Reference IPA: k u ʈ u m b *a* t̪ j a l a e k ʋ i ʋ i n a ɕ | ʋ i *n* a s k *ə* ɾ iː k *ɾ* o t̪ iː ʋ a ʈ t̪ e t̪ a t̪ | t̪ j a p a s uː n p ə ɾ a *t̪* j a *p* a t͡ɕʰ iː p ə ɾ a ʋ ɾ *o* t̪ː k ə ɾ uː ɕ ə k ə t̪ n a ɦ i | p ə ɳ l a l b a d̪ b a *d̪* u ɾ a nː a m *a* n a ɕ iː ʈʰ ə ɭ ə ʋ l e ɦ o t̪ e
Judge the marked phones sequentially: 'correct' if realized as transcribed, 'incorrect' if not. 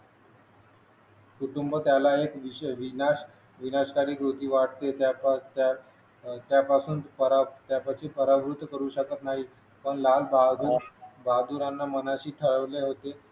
incorrect: ə, correct, incorrect: a, correct, correct, correct, incorrect: u, correct, incorrect: ə

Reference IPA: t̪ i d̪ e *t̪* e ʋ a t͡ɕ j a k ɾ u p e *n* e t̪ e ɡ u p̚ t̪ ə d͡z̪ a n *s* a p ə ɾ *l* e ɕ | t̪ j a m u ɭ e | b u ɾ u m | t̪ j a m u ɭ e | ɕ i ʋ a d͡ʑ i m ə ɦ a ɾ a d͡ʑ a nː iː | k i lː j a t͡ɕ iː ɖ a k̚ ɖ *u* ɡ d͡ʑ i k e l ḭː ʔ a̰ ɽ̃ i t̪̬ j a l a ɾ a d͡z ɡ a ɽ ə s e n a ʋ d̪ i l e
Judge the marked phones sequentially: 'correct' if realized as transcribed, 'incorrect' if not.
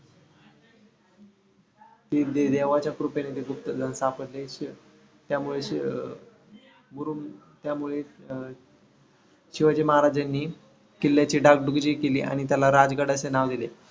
incorrect: d̪, correct, correct, correct, correct

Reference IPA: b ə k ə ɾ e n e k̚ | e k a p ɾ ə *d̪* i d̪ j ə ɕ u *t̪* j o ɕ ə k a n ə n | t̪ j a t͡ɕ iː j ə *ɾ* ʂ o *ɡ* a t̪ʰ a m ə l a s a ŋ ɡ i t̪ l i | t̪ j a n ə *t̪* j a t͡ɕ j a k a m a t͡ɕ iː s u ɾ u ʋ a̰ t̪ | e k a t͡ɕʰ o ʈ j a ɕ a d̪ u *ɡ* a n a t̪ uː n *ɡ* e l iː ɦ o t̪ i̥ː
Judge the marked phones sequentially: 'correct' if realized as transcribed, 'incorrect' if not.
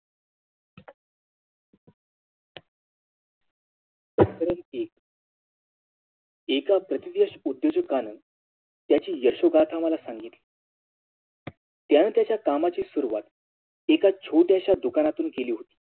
incorrect: t̪, incorrect: d̪, correct, correct, correct, incorrect: k, incorrect: k

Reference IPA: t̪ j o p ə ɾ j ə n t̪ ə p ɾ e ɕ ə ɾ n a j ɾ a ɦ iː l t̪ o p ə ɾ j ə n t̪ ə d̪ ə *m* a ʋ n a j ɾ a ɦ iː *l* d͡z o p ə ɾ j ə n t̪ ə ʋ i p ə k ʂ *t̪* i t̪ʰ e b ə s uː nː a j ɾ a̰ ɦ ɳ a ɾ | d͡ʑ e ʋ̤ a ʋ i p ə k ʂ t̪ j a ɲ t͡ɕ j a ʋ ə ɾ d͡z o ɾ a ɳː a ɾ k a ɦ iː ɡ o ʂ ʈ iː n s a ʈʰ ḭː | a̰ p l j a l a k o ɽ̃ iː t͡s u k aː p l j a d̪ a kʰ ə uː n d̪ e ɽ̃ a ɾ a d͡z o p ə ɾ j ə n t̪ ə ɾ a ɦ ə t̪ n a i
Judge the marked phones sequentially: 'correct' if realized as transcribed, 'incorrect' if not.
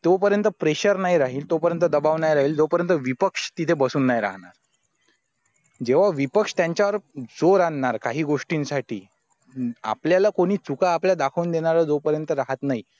incorrect: b, correct, correct

